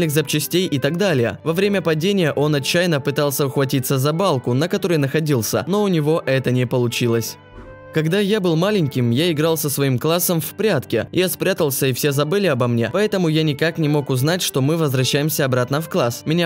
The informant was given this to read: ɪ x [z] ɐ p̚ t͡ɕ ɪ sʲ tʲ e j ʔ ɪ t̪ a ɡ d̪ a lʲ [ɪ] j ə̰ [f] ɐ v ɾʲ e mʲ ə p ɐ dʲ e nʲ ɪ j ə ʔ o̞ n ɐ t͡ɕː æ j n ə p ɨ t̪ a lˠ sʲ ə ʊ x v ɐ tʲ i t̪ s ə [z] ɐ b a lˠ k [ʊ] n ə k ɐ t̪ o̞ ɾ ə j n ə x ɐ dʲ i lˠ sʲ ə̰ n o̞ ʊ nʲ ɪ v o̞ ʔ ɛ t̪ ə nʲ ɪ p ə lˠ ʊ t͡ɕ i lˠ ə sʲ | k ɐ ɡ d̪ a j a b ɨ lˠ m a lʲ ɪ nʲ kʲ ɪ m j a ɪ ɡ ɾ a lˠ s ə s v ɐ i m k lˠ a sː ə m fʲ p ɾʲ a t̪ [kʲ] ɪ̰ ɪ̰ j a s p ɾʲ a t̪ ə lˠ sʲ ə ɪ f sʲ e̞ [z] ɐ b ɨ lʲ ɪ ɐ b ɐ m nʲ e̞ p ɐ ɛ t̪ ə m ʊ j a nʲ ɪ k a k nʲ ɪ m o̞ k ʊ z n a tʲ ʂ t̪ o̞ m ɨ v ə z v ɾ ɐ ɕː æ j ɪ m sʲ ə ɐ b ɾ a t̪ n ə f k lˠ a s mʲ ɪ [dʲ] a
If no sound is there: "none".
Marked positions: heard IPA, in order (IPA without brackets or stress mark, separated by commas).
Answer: z, ɪ, v, z, ʊ, kʲ, z, nʲ